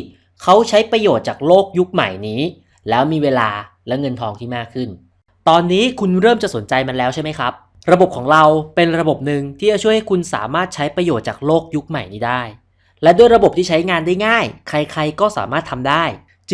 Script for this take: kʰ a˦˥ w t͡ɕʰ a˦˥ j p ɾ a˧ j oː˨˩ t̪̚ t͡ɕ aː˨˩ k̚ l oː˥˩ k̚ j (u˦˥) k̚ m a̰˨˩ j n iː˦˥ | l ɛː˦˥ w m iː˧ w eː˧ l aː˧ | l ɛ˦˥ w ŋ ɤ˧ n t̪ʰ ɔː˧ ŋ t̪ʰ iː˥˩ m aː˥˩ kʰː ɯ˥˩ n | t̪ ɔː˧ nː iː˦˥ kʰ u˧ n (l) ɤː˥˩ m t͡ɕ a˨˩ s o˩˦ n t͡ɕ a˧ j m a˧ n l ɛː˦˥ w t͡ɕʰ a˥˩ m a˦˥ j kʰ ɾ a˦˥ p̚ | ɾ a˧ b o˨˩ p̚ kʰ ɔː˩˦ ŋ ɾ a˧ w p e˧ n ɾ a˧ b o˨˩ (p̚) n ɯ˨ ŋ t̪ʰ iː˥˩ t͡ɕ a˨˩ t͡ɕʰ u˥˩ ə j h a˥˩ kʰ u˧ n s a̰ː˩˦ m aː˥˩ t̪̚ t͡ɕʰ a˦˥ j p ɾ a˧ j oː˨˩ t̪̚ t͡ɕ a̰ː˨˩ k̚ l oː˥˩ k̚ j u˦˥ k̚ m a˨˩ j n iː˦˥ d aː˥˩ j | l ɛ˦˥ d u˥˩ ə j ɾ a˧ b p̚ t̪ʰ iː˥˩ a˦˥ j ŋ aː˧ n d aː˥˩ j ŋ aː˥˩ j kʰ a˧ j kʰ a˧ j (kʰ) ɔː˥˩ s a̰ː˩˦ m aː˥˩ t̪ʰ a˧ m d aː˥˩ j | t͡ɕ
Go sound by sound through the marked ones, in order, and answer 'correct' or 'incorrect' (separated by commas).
correct, incorrect, correct, incorrect